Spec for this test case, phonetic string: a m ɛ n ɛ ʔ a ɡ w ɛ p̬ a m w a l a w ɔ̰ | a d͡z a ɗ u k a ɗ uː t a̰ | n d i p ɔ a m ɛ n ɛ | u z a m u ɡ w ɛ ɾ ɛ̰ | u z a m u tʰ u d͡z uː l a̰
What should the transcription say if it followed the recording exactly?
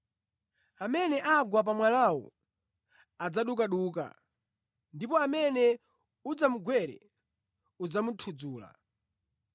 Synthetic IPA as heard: a m ɛ n ɛ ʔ a ɡ w a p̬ a m w a l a w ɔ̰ | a d͡z a ɗ u k a ɗ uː k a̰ | n d i p ɔ a m ɛ n ɛ | u d͡z a m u ɡ w ɛ ɾ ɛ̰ | u d͡z a m u tʰ u d͡z uː l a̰